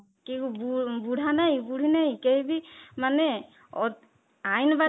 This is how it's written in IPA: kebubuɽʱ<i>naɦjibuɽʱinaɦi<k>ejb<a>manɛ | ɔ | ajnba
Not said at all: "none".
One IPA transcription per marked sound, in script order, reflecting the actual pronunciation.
a, k, i

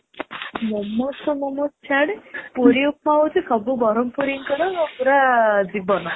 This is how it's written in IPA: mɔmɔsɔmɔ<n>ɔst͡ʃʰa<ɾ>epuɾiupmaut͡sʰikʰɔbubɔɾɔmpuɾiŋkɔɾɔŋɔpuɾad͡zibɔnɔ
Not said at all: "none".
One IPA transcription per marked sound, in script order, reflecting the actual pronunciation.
m, ɽ

